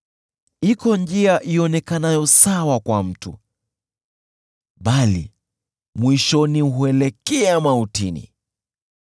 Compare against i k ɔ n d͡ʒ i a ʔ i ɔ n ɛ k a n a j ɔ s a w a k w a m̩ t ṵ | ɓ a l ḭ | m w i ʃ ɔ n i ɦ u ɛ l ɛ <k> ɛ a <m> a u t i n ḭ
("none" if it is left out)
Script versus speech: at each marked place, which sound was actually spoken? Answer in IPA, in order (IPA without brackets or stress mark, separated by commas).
k, m